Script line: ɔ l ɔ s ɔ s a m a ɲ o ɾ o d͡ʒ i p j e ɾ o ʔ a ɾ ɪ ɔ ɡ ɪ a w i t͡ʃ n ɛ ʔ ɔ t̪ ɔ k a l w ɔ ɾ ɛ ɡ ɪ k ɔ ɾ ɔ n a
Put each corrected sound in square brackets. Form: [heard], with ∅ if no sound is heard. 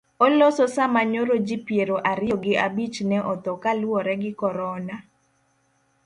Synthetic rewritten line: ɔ l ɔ s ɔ s a m a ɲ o ɾ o d͡ʒ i p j e ɾ o ʔ a ɾ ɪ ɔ ɡ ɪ a [b] i t͡ʃ n ɛ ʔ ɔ t̪ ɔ k a l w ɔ ɾ ɛ ɡ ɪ k ɔ ɾ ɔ n a